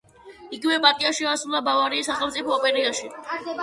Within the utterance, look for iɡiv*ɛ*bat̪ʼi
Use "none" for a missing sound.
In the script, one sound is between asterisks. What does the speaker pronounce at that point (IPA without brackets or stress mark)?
ɛ